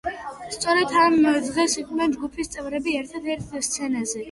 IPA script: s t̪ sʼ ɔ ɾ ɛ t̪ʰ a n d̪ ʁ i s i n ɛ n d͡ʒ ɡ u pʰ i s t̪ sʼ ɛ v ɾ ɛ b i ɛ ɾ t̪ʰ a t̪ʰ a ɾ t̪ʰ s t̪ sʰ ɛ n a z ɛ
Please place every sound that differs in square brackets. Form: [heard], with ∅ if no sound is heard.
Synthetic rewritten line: s t̪ sʼ ɔ ɾ ɛ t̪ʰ a [m] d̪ ʁ [ɛ] s i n ɛ n d͡ʒ ɡ u pʰ i s t̪ sʼ ɛ v ɾ ɛ b i ɛ ɾ t̪ʰ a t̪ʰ [ɛ] ɾ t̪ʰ s t̪ sʰ ɛ n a z ɛ